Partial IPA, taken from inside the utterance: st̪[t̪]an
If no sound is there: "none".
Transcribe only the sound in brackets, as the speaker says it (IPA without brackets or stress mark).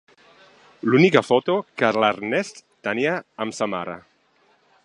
t̪